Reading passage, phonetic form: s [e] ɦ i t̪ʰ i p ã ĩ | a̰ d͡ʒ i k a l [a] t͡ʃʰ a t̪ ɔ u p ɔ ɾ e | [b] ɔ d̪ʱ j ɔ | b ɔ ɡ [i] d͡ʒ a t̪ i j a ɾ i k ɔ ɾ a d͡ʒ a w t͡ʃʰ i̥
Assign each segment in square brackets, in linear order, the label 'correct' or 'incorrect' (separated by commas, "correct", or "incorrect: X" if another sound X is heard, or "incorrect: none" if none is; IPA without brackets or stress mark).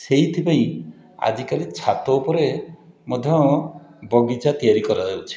correct, incorrect: i, incorrect: m, correct